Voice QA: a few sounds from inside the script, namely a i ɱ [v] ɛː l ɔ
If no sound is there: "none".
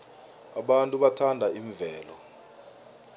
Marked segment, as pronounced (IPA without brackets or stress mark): v